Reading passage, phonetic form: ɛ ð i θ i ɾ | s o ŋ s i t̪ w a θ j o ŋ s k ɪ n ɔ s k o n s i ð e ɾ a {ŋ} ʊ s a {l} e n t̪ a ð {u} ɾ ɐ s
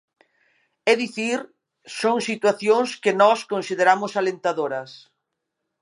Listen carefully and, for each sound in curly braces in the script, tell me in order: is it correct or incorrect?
incorrect: m, correct, incorrect: o

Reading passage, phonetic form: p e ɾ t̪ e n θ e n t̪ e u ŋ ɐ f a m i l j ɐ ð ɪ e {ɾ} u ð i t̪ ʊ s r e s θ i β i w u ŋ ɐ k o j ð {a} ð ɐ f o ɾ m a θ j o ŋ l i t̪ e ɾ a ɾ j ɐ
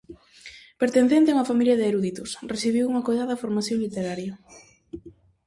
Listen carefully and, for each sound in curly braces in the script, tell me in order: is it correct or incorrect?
correct, correct

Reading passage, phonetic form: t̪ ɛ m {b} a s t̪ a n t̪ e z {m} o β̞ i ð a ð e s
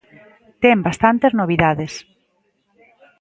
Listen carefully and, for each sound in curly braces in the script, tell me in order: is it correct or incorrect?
correct, incorrect: n

